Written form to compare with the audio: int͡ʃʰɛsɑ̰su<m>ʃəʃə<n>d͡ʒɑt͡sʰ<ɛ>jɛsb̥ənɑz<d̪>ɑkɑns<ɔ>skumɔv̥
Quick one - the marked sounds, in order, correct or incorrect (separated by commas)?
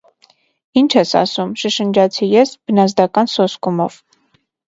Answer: correct, correct, incorrect, correct, correct